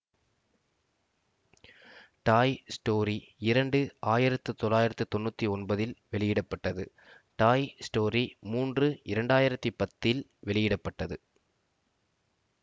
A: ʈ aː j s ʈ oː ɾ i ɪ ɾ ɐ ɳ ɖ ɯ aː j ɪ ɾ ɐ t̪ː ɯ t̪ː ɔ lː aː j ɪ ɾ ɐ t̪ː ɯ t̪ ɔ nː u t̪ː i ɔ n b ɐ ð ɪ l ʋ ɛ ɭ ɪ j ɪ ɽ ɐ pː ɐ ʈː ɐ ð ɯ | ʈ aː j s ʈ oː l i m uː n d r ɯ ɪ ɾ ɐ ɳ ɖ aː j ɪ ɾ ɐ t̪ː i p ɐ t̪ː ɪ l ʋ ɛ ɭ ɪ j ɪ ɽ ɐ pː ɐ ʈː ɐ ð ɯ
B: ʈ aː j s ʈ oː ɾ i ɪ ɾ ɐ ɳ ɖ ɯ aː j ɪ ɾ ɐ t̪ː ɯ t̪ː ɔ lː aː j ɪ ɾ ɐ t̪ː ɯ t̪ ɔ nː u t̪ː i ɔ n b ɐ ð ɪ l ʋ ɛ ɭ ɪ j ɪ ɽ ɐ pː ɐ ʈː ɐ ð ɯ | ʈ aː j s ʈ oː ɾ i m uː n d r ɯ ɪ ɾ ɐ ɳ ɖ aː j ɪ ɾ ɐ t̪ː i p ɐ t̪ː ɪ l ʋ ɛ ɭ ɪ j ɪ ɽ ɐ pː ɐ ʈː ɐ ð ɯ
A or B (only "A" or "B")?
B